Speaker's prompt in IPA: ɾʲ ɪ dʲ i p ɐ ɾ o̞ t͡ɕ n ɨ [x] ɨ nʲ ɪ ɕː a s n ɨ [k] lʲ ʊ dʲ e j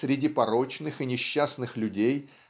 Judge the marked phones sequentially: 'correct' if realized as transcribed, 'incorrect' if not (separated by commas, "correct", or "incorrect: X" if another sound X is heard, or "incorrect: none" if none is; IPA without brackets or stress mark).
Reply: correct, incorrect: x